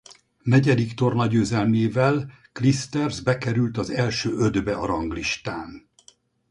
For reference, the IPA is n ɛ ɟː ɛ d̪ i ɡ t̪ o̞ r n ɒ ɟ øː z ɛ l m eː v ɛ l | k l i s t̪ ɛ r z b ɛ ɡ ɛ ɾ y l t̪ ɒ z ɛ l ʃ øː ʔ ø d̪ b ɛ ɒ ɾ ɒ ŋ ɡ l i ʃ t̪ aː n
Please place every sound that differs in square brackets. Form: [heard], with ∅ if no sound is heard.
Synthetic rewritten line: n ɛ [ɟ] ɛ d̪ i [k] t̪ o̞ r n ɒ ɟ øː z ɛ l m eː v ɛ l | k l i s t̪ ɛ r z b ɛ [k] ɛ ɾ y l t̪ ɒ z ɛ l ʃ øː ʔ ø d̪ b ɛ ɒ ɾ ɒ ŋ ɡ l i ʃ t̪ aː n

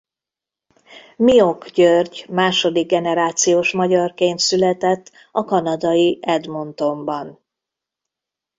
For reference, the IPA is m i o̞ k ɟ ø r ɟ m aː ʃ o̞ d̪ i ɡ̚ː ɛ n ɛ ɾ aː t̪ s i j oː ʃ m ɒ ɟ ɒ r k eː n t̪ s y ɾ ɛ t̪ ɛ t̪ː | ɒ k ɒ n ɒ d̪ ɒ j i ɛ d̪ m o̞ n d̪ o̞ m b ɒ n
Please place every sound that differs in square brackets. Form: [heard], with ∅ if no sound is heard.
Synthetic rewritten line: m i o̞ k ɟ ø r ɟ m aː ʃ o̞ d̪ i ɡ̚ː ɛ n ɛ ɾ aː t̪ s i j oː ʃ m ɒ ɟ ɒ r k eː n t̪ s y [l] ɛ t̪ ɛ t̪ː | ɒ k ɒ n ɒ d̪ ɒ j i ɛ d̪ m o̞ n [t̪] o̞ m b ɒ n

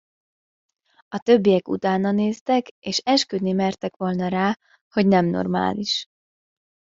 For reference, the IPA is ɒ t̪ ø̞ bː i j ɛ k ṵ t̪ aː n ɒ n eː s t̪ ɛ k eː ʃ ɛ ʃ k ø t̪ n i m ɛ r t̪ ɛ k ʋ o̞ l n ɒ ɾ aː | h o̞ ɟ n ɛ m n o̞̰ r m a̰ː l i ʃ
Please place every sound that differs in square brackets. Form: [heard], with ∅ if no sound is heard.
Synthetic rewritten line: ɒ t̪ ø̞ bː i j ɛ k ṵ t̪ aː n ɒ n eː s t̪ ɛ k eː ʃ ɛ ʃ k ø [d̪] n i m ɛ r t̪ ɛ k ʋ o̞ l n ɒ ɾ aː | h o̞ ɟ n ɛ m n o̞̰ r m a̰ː l i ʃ

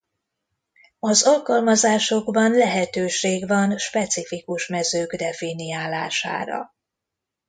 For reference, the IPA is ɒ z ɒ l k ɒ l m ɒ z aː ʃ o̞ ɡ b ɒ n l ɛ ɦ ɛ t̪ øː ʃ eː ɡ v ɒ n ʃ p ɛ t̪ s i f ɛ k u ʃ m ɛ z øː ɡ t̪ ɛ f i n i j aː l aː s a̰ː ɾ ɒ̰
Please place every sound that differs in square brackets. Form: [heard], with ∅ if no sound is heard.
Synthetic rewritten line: ɒ z ɒ l k ɒ l m ɒ z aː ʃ o̞ ɡ b ɒ n l ɛ ɦ ɛ t̪ øː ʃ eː ɡ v ɒ n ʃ p ɛ t̪ s i f [i] k u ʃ m ɛ z øː ɡ [d̪] ɛ f i n i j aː l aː [ʃ] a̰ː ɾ ɒ̰

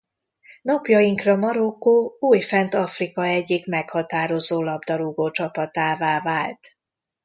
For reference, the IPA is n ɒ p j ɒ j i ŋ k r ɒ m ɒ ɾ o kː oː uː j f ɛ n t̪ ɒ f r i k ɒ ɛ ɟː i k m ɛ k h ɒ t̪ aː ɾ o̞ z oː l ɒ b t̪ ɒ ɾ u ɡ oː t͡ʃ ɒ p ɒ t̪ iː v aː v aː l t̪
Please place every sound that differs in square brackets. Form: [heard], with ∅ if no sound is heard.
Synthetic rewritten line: n ɒ p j ɒ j i ŋ k r ɒ m ɒ ɾ o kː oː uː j f ɛ n t̪ ɒ f r i k ɒ ɛ ɟː i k m ɛ k h ɒ t̪ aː ɾ o̞ z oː l ɒ b [d̪] ɒ ɾ u ɡ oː t͡ʃ ɒ p ɒ t̪ [aː] v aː v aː l t̪

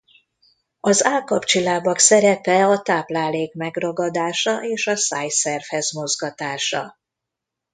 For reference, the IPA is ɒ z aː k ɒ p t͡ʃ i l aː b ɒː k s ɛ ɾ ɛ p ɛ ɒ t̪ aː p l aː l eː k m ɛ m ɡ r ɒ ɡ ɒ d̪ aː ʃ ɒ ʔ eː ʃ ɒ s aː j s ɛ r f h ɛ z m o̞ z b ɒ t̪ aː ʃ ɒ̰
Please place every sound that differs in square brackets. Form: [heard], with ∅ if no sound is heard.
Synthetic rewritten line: ɒ z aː k ɒ p t͡ʃ i l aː b [ɒ] k s ɛ ɾ ɛ p ɛ ɒ t̪ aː p l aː l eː k m ɛ [∅] ɡ r ɒ ɡ ɒ d̪ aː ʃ ɒ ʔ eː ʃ ɒ s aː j s ɛ r f h ɛ z m o̞ z [ɡ] ɒ t̪ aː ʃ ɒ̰

